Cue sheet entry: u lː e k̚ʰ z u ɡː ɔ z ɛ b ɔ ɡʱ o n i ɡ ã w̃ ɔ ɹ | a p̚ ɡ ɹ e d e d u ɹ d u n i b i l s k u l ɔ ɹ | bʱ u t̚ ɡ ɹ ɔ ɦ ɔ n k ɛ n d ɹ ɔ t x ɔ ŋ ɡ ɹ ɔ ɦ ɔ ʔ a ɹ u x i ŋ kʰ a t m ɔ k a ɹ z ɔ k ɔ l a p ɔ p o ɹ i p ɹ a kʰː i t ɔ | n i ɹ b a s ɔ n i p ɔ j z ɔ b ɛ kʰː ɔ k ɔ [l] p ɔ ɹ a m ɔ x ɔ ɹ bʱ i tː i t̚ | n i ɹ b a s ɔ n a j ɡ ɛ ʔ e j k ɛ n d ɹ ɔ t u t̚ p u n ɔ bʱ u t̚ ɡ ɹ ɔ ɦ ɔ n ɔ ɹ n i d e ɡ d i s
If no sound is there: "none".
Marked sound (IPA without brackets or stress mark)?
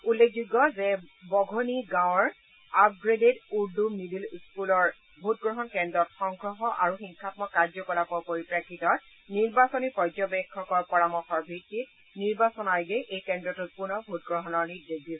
ɹ